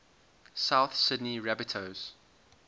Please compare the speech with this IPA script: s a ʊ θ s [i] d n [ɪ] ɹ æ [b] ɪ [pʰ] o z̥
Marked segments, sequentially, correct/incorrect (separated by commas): incorrect, incorrect, correct, incorrect